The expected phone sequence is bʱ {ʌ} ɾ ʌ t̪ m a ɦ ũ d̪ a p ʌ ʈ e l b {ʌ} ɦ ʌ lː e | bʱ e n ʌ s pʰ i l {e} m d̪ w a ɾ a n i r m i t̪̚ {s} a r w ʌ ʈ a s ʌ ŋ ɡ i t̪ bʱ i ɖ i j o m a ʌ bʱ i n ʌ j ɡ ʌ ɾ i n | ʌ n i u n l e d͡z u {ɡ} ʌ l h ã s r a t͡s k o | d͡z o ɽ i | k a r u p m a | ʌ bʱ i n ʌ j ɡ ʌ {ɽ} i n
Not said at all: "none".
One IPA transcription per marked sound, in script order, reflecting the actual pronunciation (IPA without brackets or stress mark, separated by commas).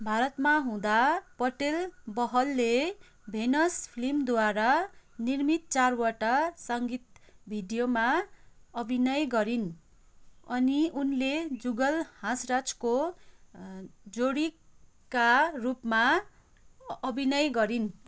a, ʌ, i, t͡s, ɡ, ɾ